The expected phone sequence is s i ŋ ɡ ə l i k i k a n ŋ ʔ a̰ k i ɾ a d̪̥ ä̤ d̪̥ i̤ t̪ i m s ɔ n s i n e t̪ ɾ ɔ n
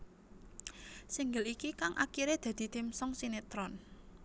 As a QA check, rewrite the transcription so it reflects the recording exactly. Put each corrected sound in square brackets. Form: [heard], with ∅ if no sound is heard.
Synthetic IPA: s i ŋ ɡ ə l i k i k a [∅] ŋ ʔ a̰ k i ɾ [e] d̪̥ ä̤ d̪̥ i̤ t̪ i m s ɔ [ŋ] s i n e t̪ ɾ ɔ n